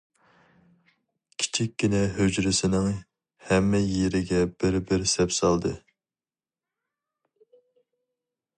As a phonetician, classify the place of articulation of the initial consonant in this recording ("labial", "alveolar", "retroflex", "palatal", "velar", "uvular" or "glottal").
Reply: velar